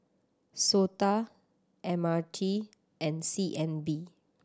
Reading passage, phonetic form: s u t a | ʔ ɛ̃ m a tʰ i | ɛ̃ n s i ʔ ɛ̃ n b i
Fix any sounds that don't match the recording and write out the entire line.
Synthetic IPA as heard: s o t a | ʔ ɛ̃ m a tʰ i | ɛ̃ n s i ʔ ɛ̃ n b i